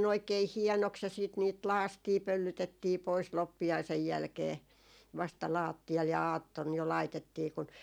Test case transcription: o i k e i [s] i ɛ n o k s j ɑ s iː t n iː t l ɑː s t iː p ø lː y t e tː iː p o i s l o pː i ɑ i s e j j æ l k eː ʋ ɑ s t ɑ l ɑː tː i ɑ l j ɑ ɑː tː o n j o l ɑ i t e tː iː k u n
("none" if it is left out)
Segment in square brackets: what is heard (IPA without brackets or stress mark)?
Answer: h